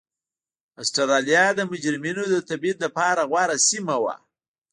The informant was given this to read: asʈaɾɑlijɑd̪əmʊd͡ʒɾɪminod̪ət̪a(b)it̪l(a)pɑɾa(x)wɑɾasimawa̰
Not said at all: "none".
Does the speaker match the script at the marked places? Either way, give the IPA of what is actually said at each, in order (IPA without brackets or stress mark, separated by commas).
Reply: b, a, ɣ